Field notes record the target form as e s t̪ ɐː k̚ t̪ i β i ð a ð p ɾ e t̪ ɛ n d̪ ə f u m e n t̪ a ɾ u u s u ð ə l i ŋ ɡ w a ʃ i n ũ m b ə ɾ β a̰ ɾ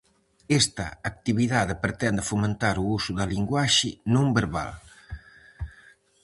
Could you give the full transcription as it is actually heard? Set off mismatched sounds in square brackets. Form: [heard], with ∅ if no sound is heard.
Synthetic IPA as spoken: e s t̪ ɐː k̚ t̪ i β i ð a ð p ɾ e t̪ ɛ n d̪ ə f u m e n t̪ a ɾ u u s u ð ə l i ŋ ɡ w a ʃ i n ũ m b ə ɾ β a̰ [l]

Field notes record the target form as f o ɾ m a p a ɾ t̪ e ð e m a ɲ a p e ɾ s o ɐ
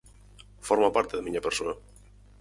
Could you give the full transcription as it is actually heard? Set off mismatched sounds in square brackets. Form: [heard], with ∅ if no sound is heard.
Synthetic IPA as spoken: f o ɾ m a p a ɾ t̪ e ð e m [i] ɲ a p e ɾ s o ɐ

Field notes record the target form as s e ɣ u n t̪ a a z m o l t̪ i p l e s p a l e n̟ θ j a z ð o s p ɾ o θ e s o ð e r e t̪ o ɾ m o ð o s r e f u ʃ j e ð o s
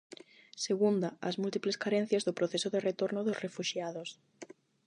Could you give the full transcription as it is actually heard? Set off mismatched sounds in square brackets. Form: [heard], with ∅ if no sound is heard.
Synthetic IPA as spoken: s e ɣ u n [d̪] a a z m [u] l t̪ i p l e s [k] a [ɾ] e n̟ θ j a z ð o [∅] p ɾ o θ e s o ð e r e t̪ o ɾ [n] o ð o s r e f u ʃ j [a] ð o s

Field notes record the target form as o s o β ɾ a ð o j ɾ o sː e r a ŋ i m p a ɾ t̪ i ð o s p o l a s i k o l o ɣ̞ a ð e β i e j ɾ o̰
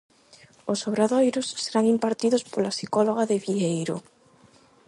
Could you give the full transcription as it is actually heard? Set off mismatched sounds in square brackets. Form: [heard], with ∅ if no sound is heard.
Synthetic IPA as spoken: o s o β ɾ a ð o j ɾ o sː e [ɾ] a ŋ i m p a ɾ t̪ i ð o s p o l a s i k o l o ɣ̞ a ð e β i e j ɾ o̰

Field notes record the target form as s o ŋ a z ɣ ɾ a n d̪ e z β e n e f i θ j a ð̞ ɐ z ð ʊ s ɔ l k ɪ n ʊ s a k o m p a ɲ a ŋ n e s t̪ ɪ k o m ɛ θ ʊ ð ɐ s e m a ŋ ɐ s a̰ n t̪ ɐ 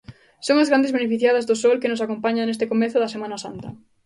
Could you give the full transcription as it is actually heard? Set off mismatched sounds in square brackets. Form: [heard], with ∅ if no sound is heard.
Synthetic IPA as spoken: s o ŋ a z ɣ ɾ a n d̪ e z β e n e f i θ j a ð̞ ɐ z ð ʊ s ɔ l k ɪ n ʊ s a k o m p a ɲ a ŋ n e s t̪ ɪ k o m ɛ θ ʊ ð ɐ s e m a [n] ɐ s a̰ n t̪ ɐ

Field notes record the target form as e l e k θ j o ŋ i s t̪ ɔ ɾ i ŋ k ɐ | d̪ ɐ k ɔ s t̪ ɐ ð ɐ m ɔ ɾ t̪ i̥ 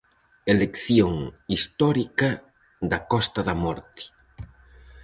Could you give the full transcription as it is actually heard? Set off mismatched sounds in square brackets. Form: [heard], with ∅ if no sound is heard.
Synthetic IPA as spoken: e l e k θ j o ŋ i s t̪ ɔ ɾ i [∅] k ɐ | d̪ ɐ k ɔ s t̪ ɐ ð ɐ m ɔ ɾ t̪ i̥

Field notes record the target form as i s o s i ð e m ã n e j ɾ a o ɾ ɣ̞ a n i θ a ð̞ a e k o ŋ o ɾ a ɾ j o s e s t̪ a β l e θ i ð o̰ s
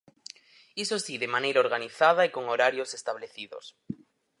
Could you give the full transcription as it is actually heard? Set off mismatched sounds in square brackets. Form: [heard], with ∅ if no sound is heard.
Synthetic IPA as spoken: i s o s i ð e m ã n e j ɾ a o ɾ ɣ̞ a n i θ a ð̞ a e k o ŋ o ɾ a ɾ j o s e s t̪ a β l e θ i ð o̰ s

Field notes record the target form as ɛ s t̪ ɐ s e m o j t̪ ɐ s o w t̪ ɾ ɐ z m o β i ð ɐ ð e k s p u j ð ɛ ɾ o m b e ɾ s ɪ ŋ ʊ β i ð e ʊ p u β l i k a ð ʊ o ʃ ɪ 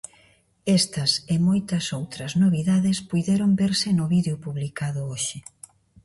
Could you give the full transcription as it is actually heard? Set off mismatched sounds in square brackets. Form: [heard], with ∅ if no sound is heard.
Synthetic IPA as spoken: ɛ s t̪ ɐ s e m o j t̪ ɐ s o w t̪ ɾ ɐ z [n] o β i ð [a] ð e [∅] s p u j ð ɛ ɾ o m b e ɾ s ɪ [n] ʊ β i ð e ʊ p u β l i k a ð ʊ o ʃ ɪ

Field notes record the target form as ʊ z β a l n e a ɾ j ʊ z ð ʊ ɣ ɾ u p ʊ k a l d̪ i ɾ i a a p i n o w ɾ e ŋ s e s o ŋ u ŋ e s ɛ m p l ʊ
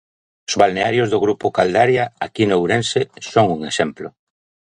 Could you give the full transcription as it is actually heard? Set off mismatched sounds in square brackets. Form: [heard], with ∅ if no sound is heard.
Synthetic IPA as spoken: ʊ z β a l n e a ɾ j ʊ z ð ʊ ɣ ɾ u p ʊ k a l d̪ [a] ɾ [j] a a [k] i n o w ɾ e [n] s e s o ŋ u ŋ e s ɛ m p l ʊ

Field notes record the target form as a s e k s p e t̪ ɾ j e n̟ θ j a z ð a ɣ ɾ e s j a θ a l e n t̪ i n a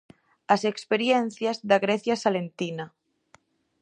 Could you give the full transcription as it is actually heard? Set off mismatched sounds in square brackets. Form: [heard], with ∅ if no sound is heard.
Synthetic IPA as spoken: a s e k s p e [∅] ɾ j e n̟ θ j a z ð a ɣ ɾ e [θ] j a [s] a l e n t̪ i n a

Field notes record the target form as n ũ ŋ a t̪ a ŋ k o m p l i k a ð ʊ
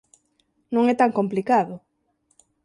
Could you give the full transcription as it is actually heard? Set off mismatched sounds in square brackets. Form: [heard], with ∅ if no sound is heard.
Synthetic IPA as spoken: n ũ ŋ [ɛ] t̪ a ŋ k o m p l i k a ð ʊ

